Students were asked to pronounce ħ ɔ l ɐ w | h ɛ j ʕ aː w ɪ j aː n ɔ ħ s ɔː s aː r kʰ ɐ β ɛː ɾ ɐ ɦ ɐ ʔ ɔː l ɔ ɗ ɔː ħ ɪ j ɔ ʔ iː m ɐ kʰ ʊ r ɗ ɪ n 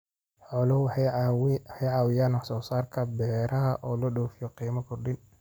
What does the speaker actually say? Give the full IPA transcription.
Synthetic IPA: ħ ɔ l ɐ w | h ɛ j ʕ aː w ɪ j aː n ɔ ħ s ɔː s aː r kʰ ɐ b ɛː ɾ ɐ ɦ ɐ ʔ ɔː l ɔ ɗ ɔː f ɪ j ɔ q iː m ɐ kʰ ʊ r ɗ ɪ n